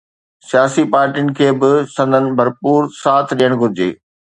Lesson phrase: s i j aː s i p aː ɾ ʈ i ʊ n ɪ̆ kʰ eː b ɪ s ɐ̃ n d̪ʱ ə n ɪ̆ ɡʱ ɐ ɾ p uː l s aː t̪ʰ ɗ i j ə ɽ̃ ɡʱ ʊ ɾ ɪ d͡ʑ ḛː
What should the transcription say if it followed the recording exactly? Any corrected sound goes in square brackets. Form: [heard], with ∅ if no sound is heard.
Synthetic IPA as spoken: s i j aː s i p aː ɾ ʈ i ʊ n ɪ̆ kʰ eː b ɪ s ɐ̃ n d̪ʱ ə n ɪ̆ [bʱ] ɐ ɾ p uː [ɾ] s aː t̪ʰ ɗ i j ə ɽ̃ ɡʱ ʊ ɾ ɪ d͡ʑ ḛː